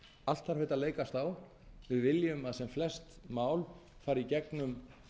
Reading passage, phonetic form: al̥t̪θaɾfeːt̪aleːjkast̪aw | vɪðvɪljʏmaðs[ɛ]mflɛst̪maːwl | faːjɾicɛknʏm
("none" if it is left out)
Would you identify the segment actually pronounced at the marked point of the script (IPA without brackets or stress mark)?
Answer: ɛ